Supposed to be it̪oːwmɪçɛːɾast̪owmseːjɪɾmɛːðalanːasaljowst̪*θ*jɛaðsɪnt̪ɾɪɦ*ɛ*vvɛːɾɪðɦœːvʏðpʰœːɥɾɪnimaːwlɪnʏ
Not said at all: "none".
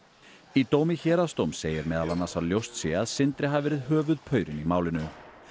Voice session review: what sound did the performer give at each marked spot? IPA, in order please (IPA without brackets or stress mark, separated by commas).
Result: s, a